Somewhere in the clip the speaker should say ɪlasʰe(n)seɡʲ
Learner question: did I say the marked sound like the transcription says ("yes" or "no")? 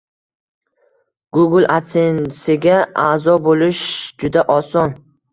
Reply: yes